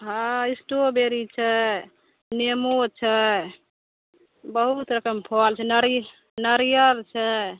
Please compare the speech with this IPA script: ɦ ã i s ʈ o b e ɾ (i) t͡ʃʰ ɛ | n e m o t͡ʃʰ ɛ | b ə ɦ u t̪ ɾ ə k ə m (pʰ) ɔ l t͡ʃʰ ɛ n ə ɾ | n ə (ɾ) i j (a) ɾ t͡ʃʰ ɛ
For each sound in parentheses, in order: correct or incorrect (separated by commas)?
correct, correct, correct, incorrect